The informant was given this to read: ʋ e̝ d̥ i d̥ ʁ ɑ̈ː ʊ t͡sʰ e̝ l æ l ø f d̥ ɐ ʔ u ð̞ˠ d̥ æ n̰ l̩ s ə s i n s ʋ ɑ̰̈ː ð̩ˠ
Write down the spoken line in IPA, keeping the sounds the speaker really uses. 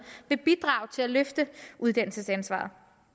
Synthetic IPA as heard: ʋ e̝ b̥ i d̥ ʁ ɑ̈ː ʊ t͡sʰ e̝ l æ l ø f d̥ ə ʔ u ð̞ˠ d̥ æ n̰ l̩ s ə s æ n s ʋ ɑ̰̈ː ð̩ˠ